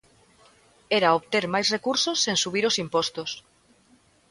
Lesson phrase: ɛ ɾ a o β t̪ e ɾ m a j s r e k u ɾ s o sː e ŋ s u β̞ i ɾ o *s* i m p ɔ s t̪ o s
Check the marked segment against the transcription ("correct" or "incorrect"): correct